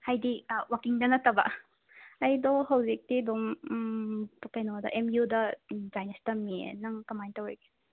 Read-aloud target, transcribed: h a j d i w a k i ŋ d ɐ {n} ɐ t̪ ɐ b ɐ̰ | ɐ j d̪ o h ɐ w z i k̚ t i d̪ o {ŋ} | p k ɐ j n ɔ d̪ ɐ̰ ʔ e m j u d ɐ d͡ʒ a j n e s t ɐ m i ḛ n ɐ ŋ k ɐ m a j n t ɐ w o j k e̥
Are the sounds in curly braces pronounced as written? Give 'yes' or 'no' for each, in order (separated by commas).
yes, no